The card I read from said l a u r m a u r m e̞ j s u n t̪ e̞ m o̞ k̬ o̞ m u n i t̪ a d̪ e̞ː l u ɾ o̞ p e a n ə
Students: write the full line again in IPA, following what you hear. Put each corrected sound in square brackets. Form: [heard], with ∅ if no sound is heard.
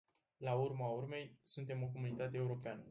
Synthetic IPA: l a u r m a u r m e̞ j s u n t̪ e̞ m o̞ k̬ o̞ m u n i t̪ a [t̪] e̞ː [∅] u ɾ o̞ p e a n ə